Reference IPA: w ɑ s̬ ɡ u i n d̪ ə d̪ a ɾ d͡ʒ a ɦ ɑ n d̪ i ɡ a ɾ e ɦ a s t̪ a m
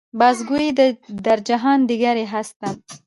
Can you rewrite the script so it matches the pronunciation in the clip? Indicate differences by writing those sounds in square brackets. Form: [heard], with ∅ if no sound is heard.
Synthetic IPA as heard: [b] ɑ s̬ ɡ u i [∅] d̪ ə d̪ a ɾ d͡ʒ a ɦ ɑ n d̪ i ɡ a ɾ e ɦ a s t̪ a m